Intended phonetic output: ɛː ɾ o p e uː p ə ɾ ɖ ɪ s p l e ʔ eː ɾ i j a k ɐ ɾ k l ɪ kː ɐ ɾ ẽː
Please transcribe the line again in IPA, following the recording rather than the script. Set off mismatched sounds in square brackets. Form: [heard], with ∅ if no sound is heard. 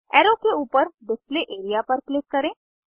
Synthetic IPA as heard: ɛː ɾ o [k] e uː p ə ɾ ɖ ɪ s p l e ʔ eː ɾ i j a [p] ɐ ɾ k l ɪ kː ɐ ɾ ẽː

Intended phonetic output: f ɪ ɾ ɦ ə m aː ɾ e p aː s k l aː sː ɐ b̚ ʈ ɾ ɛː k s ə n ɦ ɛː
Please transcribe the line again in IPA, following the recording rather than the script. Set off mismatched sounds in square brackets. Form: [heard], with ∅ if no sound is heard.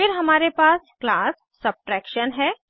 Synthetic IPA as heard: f ɪ ɾ ɦ [ɐ] m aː ɾ e p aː s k l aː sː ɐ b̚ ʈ ɾ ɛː k [ʃ] ə n ɦ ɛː

